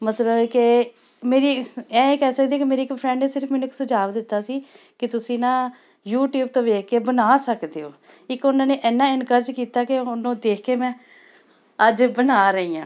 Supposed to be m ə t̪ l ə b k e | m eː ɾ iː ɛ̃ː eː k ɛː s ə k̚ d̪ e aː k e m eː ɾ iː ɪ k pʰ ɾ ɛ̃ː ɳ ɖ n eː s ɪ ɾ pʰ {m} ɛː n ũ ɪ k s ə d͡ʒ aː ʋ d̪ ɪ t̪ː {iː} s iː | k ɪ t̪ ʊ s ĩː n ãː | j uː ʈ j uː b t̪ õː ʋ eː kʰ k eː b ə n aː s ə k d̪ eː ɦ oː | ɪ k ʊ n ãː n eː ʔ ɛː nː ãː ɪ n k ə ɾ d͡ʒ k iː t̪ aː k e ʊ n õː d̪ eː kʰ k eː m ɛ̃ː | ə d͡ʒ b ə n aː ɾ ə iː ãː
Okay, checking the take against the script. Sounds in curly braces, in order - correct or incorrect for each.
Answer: correct, incorrect: aː

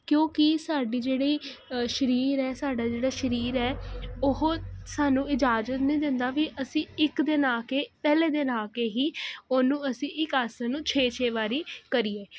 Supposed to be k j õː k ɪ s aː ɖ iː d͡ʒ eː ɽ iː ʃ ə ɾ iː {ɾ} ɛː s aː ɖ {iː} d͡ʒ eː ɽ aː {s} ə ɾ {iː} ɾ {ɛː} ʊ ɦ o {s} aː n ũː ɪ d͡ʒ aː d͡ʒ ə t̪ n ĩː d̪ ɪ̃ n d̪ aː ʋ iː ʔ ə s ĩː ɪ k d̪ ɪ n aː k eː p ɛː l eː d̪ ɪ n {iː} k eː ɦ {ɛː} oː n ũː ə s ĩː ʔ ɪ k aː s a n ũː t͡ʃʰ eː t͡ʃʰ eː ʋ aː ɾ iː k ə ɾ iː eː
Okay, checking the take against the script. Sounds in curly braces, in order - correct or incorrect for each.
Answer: correct, incorrect: aː, incorrect: ʃ, correct, correct, correct, incorrect: aː, incorrect: iː

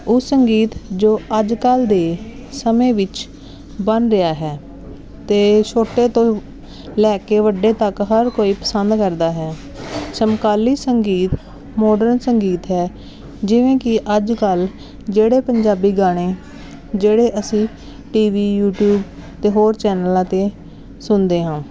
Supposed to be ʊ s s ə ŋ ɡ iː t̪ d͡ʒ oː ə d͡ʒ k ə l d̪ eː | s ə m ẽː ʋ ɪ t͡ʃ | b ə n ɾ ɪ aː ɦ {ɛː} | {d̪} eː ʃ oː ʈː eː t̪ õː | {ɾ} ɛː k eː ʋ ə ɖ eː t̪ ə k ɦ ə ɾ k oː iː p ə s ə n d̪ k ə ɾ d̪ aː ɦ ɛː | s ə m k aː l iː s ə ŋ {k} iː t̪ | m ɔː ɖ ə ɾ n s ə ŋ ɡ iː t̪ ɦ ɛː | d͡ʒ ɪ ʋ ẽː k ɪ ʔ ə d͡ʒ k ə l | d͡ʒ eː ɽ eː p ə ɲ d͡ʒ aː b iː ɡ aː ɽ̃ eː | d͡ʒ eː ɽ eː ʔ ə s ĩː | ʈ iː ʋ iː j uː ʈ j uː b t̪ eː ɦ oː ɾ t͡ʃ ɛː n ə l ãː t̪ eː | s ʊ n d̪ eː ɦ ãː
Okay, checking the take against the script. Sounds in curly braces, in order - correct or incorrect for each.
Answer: correct, incorrect: t̪, incorrect: l, incorrect: ɡ

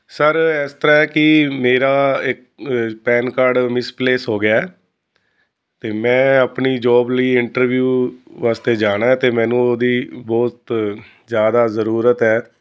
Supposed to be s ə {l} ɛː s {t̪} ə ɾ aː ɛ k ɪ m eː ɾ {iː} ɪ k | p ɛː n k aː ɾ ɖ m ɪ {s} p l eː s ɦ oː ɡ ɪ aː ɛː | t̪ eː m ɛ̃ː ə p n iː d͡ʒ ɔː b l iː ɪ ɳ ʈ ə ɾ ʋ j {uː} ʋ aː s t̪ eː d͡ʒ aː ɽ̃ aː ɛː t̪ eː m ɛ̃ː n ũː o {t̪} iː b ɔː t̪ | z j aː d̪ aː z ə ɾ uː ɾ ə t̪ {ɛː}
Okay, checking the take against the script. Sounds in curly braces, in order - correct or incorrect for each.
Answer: incorrect: ɾ, correct, incorrect: aː, correct, correct, incorrect: d̪, correct

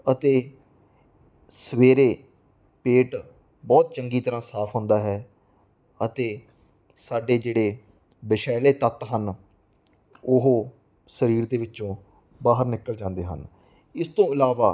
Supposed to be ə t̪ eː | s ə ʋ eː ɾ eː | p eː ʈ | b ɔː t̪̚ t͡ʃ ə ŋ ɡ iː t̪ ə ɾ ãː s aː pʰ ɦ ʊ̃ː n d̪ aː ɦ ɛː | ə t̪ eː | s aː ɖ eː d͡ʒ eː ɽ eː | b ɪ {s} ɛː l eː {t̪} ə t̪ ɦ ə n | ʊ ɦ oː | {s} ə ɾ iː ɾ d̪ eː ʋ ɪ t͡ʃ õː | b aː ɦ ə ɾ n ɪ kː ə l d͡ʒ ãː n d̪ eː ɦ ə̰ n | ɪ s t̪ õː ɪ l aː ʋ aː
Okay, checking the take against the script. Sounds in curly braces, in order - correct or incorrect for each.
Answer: incorrect: ʃ, correct, correct

